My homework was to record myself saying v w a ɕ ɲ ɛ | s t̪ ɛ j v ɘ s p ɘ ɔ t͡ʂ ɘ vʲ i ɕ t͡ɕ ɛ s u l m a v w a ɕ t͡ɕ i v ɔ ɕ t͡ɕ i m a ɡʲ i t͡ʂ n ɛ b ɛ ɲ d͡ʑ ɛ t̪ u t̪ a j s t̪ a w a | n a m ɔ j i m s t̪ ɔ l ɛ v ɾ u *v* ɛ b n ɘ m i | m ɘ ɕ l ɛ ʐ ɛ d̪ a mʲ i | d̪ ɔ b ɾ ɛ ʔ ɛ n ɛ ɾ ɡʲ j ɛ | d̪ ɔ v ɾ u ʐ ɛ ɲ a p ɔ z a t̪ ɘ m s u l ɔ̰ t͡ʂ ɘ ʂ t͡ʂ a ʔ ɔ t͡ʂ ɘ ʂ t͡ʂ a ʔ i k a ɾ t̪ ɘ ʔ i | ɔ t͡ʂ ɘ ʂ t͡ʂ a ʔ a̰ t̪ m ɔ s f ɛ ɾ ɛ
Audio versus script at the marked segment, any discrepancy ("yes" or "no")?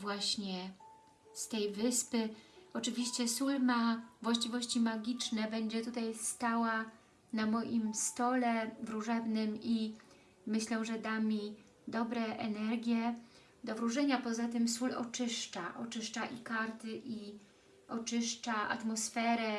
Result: yes